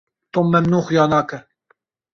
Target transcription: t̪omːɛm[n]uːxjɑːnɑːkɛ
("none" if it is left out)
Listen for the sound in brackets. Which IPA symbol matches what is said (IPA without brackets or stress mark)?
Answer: n